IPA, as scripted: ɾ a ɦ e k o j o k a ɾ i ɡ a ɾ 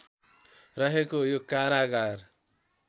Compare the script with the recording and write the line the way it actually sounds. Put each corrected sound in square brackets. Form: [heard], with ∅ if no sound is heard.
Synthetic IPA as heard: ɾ [ʌ] ɦ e k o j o k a ɾ [a] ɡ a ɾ